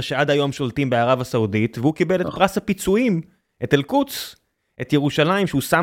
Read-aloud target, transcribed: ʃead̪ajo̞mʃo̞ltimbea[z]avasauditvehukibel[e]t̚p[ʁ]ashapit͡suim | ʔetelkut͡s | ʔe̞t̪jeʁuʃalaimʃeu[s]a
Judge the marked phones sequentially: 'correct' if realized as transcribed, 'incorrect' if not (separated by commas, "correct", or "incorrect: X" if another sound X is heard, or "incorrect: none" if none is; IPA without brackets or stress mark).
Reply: incorrect: ʁ, correct, correct, correct